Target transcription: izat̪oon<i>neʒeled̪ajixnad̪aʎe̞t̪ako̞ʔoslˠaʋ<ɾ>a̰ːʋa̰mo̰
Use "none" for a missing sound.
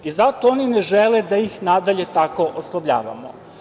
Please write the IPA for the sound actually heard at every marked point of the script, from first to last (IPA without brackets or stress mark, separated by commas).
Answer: i, ʎ